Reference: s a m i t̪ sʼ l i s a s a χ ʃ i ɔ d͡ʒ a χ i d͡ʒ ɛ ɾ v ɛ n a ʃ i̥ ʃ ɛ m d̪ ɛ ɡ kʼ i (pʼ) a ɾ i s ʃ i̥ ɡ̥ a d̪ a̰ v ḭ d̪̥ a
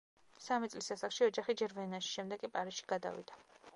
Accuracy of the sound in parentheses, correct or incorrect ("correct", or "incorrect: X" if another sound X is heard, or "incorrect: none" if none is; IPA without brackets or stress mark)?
correct